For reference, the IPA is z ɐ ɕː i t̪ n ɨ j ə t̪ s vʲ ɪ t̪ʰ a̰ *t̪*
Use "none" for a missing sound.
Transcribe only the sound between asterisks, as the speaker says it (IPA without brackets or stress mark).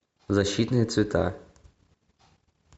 none